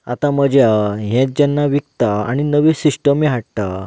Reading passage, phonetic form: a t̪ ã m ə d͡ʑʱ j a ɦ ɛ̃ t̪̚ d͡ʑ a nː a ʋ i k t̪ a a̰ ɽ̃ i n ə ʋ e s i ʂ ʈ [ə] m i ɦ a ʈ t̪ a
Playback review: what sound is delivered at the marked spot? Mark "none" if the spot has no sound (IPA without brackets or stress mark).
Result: ə